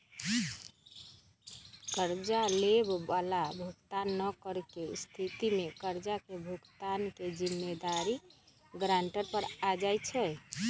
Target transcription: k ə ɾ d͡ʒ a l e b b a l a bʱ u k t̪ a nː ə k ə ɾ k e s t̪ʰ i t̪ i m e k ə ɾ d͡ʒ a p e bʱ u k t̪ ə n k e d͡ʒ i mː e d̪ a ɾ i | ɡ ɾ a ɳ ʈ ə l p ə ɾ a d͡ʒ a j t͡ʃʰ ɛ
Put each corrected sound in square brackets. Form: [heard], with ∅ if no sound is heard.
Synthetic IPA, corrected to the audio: k ə ɾ d͡ʒ a l e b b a l a bʱ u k t̪ a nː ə k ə ɾ k e s t̪ʰ i t̪ i m e k ə ɾ d͡ʒ a [k] e bʱ u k t̪ [a] n k e d͡ʒ i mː e d̪ a ɾ i | ɡ ɾ a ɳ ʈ ə [ɾ] p ə ɾ a d͡ʒ a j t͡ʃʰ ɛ